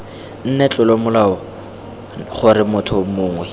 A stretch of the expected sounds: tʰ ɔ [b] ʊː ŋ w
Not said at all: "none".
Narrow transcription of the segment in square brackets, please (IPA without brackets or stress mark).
m